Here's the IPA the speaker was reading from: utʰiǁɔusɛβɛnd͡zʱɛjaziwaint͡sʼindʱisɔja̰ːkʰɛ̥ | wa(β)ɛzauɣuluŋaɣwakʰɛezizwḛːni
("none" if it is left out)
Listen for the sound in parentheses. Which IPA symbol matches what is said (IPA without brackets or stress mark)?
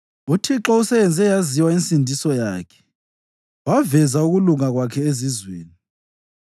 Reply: v